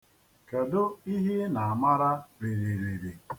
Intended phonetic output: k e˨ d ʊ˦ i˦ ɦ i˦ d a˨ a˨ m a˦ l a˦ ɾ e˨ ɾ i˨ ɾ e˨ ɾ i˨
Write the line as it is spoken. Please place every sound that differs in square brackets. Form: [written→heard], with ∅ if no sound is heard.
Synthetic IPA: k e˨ d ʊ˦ i˦ ɦ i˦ [d→n] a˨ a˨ m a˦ [l→ɾ] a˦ ɾ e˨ ɾ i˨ ɾ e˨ ɾ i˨